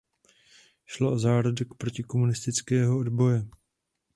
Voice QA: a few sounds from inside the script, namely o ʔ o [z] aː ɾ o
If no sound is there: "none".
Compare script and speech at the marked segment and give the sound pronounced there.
z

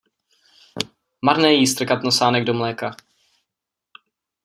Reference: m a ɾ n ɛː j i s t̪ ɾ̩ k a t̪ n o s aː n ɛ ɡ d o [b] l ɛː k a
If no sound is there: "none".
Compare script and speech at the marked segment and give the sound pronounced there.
m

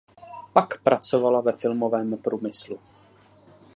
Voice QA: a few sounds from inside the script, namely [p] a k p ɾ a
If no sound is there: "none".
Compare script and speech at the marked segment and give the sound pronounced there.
p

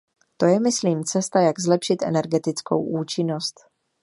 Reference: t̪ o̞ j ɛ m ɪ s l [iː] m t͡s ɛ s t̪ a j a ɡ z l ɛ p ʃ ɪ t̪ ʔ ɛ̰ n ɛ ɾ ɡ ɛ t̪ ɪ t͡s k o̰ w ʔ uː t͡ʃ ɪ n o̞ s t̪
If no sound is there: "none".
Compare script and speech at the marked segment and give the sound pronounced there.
iː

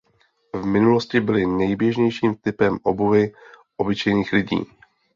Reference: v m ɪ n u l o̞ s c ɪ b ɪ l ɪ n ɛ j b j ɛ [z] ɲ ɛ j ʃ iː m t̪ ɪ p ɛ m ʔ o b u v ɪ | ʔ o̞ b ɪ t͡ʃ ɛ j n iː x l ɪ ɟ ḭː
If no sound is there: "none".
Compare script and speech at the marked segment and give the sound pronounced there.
ʒ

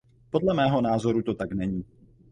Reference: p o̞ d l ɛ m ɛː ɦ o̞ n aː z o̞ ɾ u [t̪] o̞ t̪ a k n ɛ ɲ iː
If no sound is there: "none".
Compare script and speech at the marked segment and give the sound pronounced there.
t̪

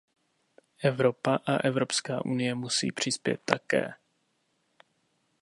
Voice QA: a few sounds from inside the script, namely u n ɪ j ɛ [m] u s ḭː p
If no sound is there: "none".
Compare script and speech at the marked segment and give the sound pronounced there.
m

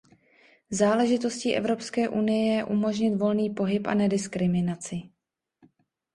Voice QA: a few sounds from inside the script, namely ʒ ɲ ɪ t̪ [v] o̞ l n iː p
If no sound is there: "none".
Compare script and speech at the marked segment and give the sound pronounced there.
v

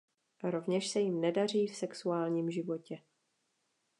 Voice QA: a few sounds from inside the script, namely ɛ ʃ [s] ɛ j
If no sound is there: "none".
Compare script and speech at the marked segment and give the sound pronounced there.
s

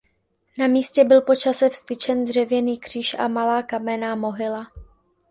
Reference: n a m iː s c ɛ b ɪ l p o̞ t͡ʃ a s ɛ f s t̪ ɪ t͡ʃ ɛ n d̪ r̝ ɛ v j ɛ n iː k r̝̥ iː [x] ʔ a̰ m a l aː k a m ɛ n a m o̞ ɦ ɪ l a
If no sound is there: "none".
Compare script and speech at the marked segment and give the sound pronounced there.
ʃ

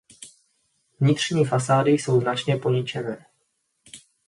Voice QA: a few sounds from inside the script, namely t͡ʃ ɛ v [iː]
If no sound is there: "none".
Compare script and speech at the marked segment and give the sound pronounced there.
ɛː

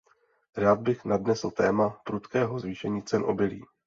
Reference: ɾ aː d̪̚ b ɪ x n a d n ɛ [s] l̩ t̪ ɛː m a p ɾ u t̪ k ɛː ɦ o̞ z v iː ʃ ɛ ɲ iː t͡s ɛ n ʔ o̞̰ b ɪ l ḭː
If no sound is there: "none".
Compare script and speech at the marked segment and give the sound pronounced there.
s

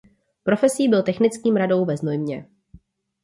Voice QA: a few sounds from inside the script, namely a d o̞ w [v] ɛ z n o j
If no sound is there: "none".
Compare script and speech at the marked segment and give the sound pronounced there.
v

